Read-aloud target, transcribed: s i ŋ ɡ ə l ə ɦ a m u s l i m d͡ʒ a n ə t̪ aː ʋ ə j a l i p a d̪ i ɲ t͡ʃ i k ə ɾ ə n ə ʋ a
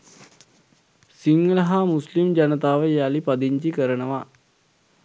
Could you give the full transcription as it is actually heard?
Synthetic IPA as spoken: s i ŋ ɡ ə l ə ɦ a m u s l i m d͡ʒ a n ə t̪ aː ʋ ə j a l i p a d̪ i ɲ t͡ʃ i k ə ɾ ə n ə ʋ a